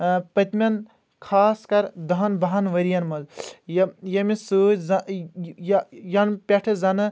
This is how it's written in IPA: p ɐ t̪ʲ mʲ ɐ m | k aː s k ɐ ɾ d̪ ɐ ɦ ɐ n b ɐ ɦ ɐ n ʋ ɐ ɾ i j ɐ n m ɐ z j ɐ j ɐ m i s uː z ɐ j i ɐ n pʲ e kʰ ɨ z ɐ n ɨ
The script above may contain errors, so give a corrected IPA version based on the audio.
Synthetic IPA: p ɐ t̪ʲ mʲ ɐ n | kʰ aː s k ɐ ɾ d̪ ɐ ɦ ɐ n b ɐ ɦ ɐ n ʋ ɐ ɾ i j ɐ n m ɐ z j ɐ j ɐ m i s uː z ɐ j j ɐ n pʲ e ʈʰ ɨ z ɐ n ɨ